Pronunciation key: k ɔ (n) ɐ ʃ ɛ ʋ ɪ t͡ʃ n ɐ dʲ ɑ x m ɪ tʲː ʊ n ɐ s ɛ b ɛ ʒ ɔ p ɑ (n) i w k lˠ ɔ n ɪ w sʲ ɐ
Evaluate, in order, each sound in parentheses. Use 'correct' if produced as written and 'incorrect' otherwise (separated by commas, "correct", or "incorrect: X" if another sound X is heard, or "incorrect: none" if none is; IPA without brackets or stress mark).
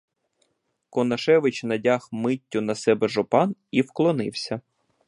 correct, correct